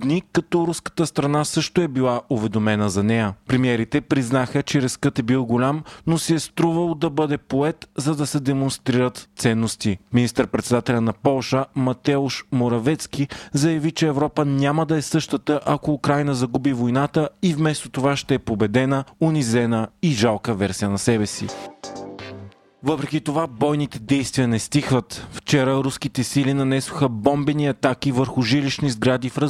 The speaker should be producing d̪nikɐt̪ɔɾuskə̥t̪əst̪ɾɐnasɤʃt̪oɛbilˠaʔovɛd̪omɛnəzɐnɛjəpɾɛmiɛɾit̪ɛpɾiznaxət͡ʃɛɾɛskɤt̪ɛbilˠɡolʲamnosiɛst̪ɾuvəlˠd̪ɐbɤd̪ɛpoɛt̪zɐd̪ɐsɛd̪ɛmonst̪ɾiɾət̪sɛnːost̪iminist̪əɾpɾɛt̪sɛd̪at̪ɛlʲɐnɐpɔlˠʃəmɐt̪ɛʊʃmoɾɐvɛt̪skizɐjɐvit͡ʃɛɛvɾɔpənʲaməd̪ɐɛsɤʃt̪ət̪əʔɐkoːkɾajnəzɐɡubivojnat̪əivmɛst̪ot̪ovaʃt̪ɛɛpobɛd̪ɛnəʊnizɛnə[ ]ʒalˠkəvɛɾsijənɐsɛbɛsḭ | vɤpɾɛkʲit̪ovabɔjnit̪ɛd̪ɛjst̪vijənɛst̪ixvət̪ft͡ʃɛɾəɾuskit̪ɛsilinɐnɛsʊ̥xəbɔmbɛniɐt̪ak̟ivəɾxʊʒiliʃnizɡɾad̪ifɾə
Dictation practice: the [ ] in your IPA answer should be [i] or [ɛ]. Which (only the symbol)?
i